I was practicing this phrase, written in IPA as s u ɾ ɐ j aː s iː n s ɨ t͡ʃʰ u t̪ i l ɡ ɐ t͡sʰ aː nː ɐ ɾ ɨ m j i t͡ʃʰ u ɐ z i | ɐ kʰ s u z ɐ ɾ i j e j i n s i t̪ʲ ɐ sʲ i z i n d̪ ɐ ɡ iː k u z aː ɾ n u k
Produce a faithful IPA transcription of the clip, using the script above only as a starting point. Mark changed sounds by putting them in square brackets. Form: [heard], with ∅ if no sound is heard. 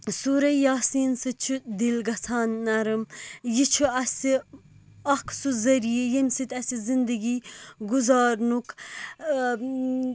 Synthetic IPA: s u ɾ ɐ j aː s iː n s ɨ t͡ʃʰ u [d̪] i l ɡ ɐ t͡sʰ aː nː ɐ ɾ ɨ m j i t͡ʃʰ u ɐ [s] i | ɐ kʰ s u z ɐ ɾ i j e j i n s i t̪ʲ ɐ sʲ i z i n d̪ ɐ ɡ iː [ɡ] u z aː ɾ n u k